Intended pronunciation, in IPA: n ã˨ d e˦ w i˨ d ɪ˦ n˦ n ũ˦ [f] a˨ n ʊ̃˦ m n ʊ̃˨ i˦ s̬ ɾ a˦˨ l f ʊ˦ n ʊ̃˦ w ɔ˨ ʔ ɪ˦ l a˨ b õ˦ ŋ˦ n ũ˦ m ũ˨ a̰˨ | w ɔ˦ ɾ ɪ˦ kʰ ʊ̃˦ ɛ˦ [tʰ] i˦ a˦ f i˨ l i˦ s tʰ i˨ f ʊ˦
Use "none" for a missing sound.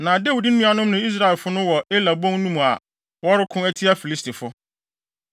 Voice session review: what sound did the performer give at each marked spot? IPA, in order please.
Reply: none, tʰ

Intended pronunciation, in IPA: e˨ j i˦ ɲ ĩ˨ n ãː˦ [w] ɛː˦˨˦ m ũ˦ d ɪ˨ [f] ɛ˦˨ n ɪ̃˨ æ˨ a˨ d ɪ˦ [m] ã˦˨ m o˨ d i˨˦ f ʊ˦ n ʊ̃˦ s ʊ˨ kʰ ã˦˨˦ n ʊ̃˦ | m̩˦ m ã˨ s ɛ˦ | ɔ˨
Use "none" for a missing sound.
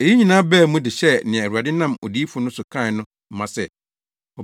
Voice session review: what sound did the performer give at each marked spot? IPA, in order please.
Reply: b, ɕ, n

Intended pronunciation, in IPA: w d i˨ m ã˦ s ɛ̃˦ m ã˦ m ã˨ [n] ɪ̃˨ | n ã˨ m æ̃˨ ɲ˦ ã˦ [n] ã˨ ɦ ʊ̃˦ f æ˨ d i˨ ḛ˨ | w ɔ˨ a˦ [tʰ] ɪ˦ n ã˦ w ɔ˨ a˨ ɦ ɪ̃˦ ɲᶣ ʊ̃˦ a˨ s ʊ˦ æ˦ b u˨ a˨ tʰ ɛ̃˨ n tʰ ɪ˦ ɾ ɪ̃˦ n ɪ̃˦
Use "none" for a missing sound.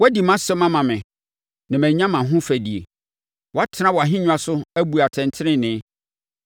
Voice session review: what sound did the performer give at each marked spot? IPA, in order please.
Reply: m, m, tʰ

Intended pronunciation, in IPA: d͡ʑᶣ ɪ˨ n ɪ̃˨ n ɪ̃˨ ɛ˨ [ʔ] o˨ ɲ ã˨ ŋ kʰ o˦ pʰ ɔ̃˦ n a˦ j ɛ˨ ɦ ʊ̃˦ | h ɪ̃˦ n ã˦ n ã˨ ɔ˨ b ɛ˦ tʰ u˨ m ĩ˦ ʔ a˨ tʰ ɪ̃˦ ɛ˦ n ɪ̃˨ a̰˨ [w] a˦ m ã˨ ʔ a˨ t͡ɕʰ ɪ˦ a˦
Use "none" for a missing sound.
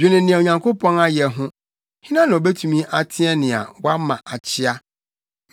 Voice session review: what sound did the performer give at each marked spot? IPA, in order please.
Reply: none, w

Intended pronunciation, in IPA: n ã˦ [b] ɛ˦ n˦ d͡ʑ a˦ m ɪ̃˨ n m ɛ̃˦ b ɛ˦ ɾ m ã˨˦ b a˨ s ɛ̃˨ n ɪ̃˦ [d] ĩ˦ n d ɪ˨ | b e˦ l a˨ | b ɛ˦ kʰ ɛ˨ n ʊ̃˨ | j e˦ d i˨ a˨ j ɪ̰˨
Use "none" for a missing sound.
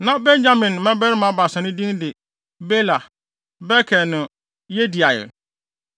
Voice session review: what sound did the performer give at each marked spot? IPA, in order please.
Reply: b, d

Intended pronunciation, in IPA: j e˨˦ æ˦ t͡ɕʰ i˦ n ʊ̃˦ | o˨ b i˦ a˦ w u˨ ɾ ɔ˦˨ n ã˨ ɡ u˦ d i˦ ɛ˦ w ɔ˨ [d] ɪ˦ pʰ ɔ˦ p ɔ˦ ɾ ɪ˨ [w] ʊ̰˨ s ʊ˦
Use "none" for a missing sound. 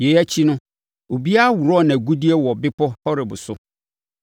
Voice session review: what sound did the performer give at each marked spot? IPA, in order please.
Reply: b, b

